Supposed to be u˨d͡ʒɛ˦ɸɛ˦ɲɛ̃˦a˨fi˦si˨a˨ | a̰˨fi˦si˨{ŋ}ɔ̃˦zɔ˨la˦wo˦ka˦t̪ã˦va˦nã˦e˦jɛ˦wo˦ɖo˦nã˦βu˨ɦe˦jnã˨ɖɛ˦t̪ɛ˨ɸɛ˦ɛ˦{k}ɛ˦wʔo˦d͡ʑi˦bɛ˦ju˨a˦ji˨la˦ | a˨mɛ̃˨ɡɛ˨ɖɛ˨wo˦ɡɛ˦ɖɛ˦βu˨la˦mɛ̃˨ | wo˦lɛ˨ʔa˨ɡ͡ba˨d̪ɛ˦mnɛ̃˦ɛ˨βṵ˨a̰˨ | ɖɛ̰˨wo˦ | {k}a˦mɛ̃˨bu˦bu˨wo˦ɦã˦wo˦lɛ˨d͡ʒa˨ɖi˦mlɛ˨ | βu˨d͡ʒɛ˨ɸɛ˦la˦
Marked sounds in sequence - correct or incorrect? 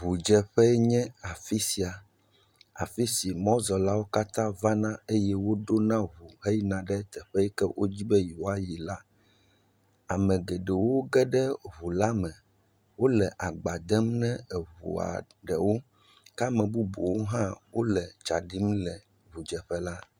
incorrect, correct, correct

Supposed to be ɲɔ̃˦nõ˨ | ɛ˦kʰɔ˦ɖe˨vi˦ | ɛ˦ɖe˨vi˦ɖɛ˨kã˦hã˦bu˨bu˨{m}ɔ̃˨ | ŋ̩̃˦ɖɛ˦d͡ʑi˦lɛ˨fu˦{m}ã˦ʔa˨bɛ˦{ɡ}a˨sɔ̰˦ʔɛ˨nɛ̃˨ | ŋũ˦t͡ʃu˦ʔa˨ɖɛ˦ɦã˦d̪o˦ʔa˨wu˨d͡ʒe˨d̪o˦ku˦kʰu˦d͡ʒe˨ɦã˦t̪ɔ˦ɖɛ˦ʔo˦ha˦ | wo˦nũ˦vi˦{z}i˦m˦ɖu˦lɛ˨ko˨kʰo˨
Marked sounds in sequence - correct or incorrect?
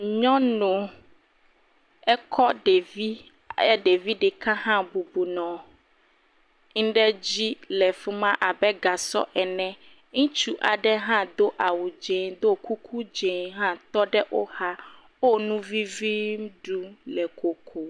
incorrect, correct, correct, incorrect

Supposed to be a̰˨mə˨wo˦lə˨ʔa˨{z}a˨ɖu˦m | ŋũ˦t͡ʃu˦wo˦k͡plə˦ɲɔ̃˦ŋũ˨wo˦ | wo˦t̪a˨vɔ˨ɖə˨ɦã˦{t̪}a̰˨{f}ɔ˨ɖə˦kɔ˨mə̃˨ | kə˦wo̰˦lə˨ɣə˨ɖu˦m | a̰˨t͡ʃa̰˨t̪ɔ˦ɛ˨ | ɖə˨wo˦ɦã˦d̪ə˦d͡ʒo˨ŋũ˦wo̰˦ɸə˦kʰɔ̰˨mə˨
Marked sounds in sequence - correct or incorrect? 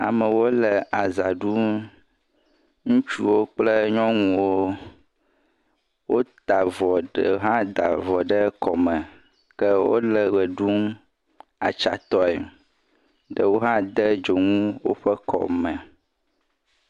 correct, incorrect, incorrect

